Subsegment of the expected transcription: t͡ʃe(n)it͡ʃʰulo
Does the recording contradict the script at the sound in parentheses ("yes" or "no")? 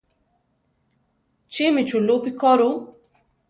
yes